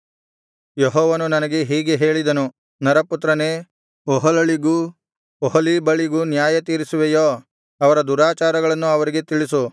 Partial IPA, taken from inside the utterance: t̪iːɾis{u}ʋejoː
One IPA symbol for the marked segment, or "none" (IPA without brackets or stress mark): u